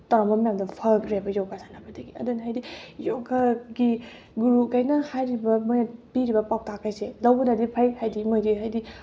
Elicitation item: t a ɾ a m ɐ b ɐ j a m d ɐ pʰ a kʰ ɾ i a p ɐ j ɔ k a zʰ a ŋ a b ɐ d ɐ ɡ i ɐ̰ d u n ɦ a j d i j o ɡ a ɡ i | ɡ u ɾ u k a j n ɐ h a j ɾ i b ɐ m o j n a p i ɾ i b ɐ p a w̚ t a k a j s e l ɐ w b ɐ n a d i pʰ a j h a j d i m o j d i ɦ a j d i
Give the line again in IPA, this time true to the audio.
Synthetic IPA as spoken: t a ɾ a m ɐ m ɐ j a m d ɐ pʰ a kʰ ɾ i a b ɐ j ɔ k a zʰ a n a b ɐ d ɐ ɡ i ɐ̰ d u n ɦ a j d i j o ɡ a ɡ i | ɡ u ɾ u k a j n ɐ h a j ɾ i b ɐ m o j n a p i ɾ i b ɐ p a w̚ t a k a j s e l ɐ w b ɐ n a d i pʰ a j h a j d i m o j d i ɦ a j d i